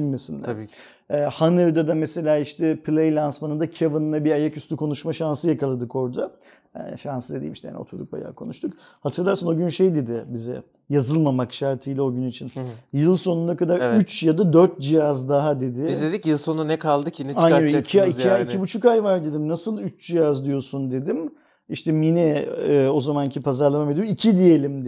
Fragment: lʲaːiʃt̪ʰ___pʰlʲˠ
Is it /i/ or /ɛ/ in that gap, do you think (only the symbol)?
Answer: ɛ